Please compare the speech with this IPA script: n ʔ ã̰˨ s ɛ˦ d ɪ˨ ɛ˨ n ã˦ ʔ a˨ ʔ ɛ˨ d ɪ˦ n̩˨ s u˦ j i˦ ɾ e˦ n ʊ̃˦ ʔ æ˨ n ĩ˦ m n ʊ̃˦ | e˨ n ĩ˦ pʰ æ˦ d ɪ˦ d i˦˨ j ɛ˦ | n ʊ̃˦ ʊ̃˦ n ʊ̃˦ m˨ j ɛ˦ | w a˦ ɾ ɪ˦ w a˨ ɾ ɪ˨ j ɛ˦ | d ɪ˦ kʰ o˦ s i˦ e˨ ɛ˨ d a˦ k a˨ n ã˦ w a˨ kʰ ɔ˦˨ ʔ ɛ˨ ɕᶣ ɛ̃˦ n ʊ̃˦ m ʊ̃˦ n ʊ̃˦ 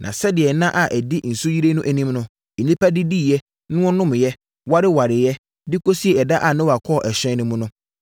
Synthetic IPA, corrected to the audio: n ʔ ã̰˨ s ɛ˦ d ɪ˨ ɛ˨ n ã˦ ʔ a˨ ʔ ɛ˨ d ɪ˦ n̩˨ s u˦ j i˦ ɾ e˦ n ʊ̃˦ ʔ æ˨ n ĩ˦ m n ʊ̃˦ | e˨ n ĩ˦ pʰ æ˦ d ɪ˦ d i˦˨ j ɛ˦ | n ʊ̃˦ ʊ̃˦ n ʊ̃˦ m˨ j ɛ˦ | w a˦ ɾ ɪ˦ w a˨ ɾ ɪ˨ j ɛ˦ | d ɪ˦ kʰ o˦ s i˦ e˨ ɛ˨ d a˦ ʔ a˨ n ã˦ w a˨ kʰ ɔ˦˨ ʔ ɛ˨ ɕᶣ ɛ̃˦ n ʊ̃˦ m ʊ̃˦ n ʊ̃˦